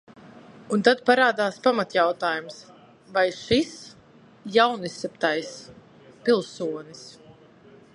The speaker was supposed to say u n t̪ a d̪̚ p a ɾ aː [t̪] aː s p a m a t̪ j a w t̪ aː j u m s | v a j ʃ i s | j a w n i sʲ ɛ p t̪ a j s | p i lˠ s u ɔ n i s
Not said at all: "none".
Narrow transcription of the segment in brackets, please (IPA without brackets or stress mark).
d̪